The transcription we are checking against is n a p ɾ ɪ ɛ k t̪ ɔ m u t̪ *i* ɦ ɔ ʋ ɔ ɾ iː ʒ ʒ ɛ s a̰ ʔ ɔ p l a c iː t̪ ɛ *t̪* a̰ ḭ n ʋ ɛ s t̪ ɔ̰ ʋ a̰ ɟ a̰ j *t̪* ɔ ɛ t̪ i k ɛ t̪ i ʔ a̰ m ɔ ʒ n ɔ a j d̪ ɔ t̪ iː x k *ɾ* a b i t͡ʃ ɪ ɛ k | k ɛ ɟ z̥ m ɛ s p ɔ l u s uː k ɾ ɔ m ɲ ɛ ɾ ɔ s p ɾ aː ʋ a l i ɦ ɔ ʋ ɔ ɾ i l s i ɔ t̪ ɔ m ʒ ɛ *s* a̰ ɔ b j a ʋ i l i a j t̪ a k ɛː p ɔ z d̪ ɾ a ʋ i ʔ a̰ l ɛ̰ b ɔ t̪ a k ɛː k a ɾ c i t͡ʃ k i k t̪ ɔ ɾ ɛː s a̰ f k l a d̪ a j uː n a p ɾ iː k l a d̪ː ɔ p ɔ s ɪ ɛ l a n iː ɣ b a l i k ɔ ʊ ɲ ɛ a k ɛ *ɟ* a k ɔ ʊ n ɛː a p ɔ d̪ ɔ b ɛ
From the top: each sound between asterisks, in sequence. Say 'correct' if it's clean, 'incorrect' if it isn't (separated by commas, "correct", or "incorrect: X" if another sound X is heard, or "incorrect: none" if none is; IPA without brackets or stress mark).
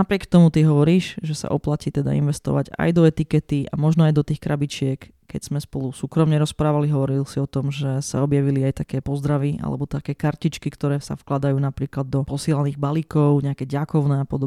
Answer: correct, incorrect: d̪, incorrect: d̪, correct, correct, correct